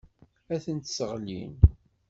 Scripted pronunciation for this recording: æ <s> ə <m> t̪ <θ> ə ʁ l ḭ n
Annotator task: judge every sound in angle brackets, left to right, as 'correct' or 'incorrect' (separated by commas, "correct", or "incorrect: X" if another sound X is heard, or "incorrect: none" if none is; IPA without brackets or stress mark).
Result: incorrect: θ, incorrect: n, incorrect: s